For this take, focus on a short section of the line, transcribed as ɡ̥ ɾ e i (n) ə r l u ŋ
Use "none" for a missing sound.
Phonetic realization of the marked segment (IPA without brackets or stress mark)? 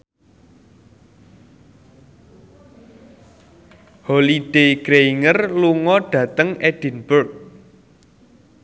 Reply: ŋ